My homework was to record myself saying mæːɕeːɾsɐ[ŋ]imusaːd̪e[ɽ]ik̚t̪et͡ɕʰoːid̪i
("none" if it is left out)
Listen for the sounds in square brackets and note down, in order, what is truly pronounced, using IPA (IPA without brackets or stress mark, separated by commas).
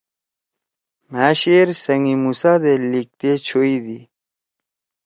ŋ, l